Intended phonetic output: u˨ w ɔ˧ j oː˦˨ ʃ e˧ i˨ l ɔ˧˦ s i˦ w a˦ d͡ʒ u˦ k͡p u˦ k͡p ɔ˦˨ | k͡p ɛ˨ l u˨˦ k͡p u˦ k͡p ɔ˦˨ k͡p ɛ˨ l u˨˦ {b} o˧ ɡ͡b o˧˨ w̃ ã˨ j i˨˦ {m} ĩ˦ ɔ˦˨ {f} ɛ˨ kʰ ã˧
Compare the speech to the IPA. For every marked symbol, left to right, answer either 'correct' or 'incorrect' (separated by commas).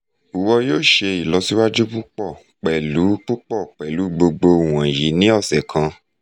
incorrect, incorrect, incorrect